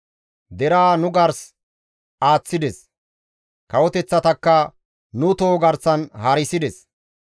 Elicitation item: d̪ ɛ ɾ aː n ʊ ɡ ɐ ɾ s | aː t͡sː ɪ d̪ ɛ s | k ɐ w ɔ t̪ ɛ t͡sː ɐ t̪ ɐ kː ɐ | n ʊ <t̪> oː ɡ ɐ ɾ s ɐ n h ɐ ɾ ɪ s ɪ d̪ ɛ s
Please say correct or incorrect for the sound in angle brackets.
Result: correct